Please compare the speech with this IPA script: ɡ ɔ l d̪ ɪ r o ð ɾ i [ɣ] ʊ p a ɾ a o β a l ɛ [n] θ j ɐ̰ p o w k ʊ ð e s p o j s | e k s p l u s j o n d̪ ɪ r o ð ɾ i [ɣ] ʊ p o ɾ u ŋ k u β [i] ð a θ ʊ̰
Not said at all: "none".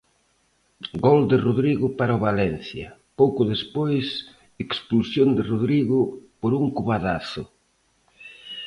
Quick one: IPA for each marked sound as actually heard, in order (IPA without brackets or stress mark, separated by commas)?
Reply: ɣ, n, ɣ, a